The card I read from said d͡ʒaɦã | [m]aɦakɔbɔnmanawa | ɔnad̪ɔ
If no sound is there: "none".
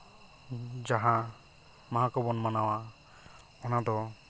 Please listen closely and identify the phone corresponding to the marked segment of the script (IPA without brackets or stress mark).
m